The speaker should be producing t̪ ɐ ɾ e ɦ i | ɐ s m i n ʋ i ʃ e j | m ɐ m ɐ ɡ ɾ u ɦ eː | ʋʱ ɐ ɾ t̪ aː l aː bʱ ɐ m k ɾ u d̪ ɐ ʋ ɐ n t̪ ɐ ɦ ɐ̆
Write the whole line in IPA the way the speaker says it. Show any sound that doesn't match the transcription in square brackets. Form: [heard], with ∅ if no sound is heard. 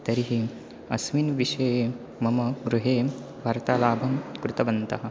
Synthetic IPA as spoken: t̪ ɐ ɾ [i] ɦ i | ɐ s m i n ʋ i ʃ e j | m ɐ m ɐ ɡ ɾ u ɦ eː | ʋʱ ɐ ɾ t̪ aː l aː bʱ ɐ m k ɾ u [t̪] ɐ ʋ ɐ n t̪ ɐ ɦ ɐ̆